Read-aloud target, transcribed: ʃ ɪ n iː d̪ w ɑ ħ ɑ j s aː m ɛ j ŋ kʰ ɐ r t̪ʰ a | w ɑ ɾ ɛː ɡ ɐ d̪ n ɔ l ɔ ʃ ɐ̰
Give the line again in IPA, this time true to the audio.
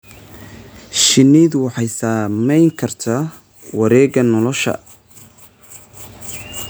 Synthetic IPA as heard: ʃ ɪ n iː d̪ w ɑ ħ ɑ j s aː m ɛ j ŋ kʰ ɐ r t̪ʰ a | w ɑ ɾ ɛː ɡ ɐ n ɔ l ɔ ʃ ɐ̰

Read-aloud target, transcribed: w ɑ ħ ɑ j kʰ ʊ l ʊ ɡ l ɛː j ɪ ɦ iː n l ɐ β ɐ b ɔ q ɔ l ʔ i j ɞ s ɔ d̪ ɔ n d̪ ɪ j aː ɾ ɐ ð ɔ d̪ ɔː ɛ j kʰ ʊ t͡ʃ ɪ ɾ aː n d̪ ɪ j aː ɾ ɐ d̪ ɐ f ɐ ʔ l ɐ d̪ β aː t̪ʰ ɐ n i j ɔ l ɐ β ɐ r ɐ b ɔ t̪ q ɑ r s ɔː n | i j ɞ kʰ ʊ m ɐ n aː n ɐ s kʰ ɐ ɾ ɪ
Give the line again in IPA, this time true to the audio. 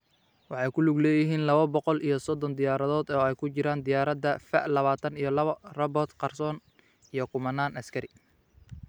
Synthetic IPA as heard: w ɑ ħ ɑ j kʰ ʊ l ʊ ɡ l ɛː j ɪ ɦ iː n l ɐ β ɐ b ɔ q ɔ l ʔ i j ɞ s ɔ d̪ ɔ n d̪ ɪ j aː ɾ ɐ ð ɔː d̪ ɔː ɛ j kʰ ʊ t͡ʃ ɪ ɾ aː n d̪ ɪ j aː ɾ ɐ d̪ ɐ f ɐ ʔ l ɐ β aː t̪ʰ ɐ n i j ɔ l ɐ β ɐ r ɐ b ɔ t̪ q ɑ r s ɔː n | i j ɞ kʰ ʊ m ɐ n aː n ɐ s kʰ ɐ ɾ ɪ

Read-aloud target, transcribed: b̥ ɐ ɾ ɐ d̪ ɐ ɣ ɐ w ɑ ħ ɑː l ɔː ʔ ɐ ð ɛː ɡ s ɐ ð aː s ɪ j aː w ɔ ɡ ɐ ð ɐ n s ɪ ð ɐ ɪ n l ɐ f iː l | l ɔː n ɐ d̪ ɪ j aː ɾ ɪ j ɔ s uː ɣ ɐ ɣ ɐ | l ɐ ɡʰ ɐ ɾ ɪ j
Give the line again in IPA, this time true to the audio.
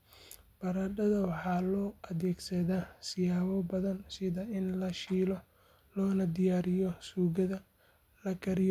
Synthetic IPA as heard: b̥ ɐ ɾ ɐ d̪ ɐ ð ɐ w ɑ ħ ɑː l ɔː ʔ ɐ ð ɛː ɡ s ɐ ð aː s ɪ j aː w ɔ b ɐ ð ɐ n s ɪ ð ɐ ɪ n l ɐ ʃ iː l | l ɔː n ɐ d̪ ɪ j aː ɾ ɪ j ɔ s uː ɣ ɐ ð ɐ | l ɐ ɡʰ ɐ ɾ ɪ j

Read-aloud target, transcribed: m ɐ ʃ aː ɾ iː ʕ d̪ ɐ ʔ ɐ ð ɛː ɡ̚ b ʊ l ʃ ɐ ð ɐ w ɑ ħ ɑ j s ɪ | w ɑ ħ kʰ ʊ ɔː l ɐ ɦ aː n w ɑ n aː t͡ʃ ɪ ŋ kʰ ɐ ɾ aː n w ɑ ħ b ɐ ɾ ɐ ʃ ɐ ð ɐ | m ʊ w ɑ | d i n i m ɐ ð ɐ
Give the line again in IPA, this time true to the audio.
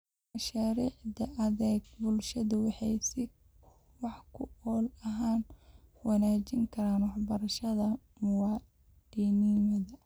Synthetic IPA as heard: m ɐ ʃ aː ɾ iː ʕ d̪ ɐ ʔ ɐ ð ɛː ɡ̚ b ʊ l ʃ ɐ ð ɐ w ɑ ħ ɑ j s ɪ | w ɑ ħ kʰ ʊ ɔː l ɐ ɦ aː n w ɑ n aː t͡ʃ ɪ ŋ kʰ ɐ ɾ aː n w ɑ ħ b ɐ ɾ ɐ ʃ ɐ ð ɐ | m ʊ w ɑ | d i n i m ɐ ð ɐ

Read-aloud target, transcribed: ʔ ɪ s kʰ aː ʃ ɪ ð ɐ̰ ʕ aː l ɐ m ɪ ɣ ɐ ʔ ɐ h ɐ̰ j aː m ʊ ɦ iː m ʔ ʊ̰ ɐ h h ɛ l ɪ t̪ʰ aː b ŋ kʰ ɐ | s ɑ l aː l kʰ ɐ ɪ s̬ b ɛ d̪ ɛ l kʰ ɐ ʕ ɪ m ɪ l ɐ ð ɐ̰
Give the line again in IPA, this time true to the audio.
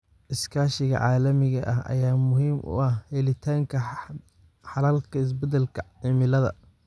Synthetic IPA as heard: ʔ ɪ s kʰ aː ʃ ɪ ɣ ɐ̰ ʕ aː l ɐ m ɪ ɣ ɐ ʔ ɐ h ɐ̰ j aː m ʊ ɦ iː m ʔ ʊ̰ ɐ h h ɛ l ɪ t̪ʰ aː ŋ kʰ ɐ | ħ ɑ l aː l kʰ ɐ ɪ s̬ b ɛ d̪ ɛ l kʰ ɐ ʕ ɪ m ɪ l ɐ ð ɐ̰

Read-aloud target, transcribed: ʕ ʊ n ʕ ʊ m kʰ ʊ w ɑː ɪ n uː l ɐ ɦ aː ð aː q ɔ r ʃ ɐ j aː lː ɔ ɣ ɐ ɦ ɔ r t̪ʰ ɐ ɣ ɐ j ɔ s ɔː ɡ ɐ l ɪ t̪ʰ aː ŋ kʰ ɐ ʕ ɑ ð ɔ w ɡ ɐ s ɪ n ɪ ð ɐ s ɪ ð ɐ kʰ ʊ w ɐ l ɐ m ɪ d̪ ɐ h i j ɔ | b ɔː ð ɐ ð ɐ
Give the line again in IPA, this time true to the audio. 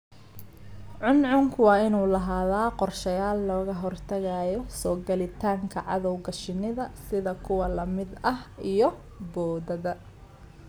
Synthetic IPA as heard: ʕ ʊ n ʕ ʊ ŋ kʰ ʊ w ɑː ɪ n uː l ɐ ɦ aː ð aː q ɔ r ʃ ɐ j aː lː ɔː ɣ ɐ ɦ ɔ r t̪ʰ ɐ ɣ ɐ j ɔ s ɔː ɡ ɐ l ɪ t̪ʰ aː ŋ kʰ ɐ ʕ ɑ ð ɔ w ɡ ɐ ʃ ɪ n ɪ ð ɐ s ɪ ð ɐ kʰ ʊ w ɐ l ɐ m ɪ d̪ ɐ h i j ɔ | b ɔː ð ɐ ð ɐ

